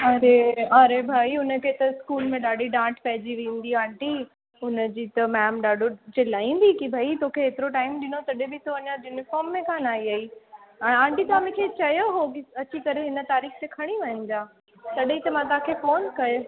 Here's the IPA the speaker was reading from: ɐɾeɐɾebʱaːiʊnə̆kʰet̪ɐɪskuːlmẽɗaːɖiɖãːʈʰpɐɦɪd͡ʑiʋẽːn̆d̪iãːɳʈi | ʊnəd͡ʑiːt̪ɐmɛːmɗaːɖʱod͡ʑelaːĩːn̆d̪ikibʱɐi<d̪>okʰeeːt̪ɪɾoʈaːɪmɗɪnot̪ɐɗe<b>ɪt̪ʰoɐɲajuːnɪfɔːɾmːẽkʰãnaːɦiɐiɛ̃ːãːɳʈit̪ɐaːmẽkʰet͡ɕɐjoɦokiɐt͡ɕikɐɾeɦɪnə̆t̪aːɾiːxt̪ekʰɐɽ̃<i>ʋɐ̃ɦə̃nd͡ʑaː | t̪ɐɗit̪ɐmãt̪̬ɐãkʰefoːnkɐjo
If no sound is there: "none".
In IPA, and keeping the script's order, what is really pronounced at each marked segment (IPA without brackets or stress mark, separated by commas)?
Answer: t̪, b, i